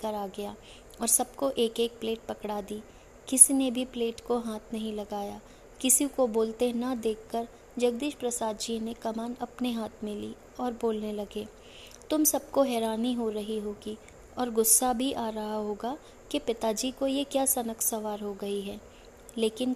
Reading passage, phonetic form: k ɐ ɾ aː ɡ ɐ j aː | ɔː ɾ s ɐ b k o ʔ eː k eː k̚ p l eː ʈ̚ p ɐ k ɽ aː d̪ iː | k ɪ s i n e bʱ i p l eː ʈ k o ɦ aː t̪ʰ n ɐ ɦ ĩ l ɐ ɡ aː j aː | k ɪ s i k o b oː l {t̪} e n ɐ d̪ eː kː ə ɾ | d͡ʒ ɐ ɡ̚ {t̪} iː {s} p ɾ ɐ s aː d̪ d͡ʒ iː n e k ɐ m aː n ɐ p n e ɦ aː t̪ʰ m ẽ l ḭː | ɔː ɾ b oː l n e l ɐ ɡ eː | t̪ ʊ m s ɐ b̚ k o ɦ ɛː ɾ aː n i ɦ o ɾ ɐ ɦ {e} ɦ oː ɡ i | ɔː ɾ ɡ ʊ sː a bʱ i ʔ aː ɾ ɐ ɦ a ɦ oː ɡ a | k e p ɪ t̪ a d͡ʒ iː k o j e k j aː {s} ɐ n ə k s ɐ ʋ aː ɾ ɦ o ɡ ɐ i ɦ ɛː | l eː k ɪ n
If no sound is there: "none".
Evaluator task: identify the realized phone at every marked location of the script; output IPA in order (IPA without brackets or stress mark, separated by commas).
t̪, d̪, ʃ, i, s